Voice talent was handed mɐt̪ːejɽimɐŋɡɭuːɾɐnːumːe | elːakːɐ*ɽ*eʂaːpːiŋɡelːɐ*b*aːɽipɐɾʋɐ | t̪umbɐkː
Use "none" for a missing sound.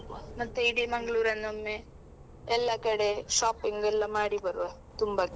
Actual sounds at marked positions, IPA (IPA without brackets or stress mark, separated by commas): ɽ, m